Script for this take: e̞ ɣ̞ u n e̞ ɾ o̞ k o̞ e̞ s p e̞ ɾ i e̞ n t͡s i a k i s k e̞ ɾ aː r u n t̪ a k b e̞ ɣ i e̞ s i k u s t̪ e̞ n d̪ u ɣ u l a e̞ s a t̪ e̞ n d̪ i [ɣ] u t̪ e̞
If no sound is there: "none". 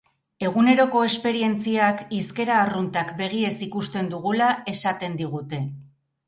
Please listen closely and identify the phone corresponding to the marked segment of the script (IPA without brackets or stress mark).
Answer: ɣ